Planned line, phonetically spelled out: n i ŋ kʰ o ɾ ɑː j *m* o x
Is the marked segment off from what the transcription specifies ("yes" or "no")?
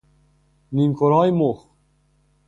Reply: no